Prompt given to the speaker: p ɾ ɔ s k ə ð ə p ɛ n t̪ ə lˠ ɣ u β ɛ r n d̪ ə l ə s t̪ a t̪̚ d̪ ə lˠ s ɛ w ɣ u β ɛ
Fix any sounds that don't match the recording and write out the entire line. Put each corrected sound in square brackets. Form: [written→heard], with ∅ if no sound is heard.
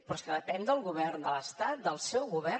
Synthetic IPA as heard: p ɾ ɔ s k ə ð ə p ɛ n [t̪→d̪] ə lˠ ɣ u β ɛ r n d̪ ə l ə s t̪ a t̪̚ d̪ ə lˠ s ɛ w ɣ u β ɛ

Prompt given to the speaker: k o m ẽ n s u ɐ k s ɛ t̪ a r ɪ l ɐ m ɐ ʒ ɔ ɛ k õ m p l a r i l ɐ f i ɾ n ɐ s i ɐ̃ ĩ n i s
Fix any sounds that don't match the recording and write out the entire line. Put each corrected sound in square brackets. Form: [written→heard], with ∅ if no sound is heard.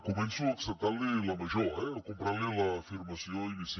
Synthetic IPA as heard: k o m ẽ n s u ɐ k s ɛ t̪ a [r→l] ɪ l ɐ m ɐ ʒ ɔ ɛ k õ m p [l→ɾ] a [r→l] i l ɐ f i ɾ [n→m] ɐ s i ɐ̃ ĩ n i s

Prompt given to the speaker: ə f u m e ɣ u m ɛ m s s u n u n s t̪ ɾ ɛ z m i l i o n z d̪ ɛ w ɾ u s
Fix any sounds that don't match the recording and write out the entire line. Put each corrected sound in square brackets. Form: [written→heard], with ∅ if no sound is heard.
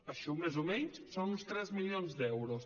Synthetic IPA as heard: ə [f→ʃ] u m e [ɣ→z] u m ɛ [m→ɲ] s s [u→o] n u n s t̪ ɾ ɛ z m i l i o n z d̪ ɛ w ɾ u s

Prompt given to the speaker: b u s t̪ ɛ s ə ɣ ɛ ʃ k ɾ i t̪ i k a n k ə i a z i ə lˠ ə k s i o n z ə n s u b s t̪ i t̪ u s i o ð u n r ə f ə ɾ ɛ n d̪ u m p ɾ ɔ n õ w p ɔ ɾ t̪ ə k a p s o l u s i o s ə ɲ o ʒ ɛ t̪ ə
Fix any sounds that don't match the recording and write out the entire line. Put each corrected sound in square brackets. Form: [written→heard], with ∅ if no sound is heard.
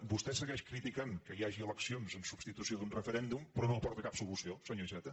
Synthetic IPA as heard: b u s t̪ ɛ s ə ɣ ɛ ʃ k ɾ i t̪ i k a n k ə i a [z→ʒ] i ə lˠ ə k s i o n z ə n s u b s t̪ i t̪ u s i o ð u n r ə f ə ɾ ɛ n d̪ u m p ɾ ɔ n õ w p ɔ ɾ t̪ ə k a p s [o→u] l u s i o s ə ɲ o ʒ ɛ t̪ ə

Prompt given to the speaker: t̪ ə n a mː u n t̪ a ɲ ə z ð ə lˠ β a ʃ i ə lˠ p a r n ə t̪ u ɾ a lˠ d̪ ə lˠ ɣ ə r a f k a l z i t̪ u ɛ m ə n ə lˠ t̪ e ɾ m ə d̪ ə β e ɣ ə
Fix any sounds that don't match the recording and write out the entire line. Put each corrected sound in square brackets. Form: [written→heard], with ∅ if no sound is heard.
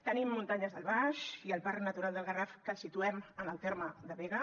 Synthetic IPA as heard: t̪ ə n [a→i] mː u n t̪ a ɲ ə z ð ə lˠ β a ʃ i ə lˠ p a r n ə t̪ u ɾ a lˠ d̪ ə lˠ ɣ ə r a f k [a→ə] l [z→s] i t̪ u ɛ m ə n ə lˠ t̪ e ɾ m ə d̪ ə β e ɣ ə

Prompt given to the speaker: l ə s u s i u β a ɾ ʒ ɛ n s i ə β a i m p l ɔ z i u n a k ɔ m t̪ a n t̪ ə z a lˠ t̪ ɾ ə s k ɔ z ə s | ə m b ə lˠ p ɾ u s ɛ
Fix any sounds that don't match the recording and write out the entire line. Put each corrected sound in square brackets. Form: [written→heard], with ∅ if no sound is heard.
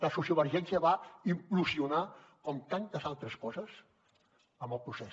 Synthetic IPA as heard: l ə s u s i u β [a→ə] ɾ ʒ ɛ n s i ə β a i m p l [ɔ→u] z i u n a k ɔ m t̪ a n t̪ ə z a lˠ t̪ ɾ ə s k ɔ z ə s | ə m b ə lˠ p ɾ u s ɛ

